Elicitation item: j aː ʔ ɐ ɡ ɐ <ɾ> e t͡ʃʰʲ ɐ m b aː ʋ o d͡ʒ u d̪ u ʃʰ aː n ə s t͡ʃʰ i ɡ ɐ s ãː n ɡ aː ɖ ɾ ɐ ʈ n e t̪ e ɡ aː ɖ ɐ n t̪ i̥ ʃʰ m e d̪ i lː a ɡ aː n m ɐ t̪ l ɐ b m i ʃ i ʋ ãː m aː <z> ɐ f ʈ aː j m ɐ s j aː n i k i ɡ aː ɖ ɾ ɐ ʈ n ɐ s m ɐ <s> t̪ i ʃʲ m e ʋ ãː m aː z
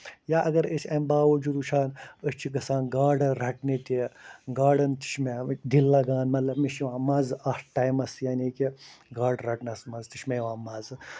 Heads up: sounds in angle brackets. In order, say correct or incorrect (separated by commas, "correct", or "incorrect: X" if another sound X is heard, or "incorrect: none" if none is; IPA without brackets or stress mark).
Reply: correct, correct, incorrect: z